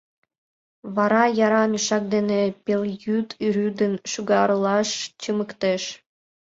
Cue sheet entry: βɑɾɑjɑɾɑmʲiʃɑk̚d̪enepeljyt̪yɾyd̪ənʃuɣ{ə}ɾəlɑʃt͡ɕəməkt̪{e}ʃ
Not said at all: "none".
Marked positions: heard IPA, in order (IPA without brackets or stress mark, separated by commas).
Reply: ɑ, e